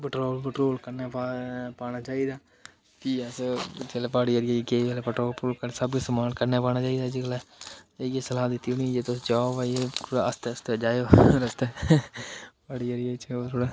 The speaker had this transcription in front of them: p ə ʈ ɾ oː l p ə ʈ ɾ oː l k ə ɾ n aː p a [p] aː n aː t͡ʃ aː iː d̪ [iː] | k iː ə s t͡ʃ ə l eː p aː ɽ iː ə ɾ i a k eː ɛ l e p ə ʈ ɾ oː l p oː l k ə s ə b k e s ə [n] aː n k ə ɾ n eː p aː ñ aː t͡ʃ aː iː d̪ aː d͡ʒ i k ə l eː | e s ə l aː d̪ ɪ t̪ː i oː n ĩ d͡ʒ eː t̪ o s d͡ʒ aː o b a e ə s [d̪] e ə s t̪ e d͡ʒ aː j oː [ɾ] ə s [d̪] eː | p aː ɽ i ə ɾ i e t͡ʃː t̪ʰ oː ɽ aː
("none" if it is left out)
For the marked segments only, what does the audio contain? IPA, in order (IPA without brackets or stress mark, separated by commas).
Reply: p, aː, m, t̪, ɾ, t̪